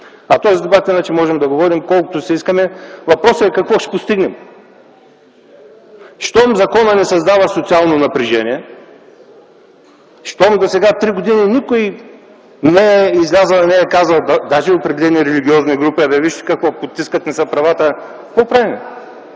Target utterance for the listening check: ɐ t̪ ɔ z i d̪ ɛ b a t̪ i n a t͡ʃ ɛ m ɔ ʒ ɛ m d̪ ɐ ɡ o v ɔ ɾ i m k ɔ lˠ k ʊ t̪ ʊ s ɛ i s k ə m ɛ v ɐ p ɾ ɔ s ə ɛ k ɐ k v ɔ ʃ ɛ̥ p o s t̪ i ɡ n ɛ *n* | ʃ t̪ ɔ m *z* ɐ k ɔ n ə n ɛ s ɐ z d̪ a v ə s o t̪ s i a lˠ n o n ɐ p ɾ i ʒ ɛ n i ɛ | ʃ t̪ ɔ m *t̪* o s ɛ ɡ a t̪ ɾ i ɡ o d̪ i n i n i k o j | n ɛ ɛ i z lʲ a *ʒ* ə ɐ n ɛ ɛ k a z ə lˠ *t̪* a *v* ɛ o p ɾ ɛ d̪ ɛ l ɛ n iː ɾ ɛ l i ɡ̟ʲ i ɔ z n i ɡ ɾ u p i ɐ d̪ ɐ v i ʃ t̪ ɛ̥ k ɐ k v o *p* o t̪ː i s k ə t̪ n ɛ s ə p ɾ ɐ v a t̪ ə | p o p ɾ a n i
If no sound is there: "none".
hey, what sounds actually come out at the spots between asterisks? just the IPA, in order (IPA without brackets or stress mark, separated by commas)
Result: m, z, d̪, z, d̪, ʒ, p